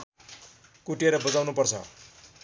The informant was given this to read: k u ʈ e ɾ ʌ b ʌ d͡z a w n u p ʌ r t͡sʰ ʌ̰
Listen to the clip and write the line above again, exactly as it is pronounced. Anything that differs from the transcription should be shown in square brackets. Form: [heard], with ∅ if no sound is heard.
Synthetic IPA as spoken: k u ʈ e ɾ ʌ b ʌ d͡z a w n u p ʌ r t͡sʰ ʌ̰